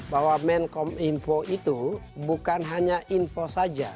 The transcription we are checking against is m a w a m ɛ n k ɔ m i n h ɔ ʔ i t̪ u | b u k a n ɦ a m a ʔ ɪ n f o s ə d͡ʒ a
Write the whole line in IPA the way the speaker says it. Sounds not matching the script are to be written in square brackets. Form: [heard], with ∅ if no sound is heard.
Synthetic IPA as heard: [b] a w a m ɛ n k ɔ m i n [f] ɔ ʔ i t̪ u | b u k a n ɦ a [ɲ] a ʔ [i] n f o s [a] d͡ʒ a

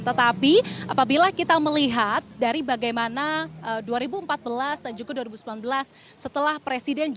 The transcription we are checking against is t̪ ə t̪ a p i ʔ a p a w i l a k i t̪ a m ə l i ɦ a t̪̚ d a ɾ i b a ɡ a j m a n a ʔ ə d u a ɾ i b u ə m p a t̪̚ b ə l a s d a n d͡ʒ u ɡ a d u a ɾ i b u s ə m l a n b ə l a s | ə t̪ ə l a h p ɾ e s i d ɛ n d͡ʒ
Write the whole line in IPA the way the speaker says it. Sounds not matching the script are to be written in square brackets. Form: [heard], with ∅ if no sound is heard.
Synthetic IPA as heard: t̪ ə t̪ a p i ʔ a p a [b] i l a k i t̪ a m ə l i ɦ a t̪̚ d a ɾ i b a ɡ a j m a n a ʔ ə d u a ɾ i b u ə m p a t̪̚ b ə l a s d a n d͡ʒ u ɡ a d u a ɾ i b u s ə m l a n b ə l a [sː] | ə t̪ ə l a h p ɾ e s i d ɛ n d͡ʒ

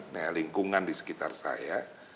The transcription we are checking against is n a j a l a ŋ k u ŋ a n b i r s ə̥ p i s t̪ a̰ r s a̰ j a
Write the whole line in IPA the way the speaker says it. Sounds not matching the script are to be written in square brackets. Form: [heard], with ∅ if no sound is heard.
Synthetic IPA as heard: n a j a l [i] ŋ k u ŋ a n [d] i [∅] s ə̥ [k] i [∅] t̪ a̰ r s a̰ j a

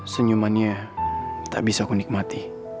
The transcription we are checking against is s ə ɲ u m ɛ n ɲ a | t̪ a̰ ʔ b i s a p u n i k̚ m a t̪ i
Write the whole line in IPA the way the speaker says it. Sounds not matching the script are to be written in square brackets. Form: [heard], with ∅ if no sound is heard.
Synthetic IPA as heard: s ə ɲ u m [a] n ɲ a | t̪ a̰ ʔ b i s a [k] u n i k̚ m a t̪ i

